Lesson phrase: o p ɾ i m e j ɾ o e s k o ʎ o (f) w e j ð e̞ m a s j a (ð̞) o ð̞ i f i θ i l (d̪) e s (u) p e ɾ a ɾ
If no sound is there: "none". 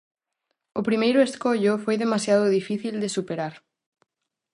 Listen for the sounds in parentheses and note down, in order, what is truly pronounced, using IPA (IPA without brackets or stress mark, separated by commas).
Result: f, ð̞, d̪, u